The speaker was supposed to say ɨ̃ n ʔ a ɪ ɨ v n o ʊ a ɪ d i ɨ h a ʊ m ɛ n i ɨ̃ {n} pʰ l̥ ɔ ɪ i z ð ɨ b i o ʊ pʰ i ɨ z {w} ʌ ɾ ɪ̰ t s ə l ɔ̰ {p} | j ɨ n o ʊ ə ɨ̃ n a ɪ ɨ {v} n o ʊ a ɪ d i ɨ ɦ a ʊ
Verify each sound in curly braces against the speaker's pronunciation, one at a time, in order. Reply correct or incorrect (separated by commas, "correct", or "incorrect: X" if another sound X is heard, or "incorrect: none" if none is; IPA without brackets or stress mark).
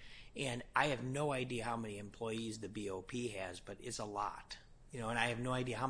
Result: incorrect: m, incorrect: b, incorrect: t, correct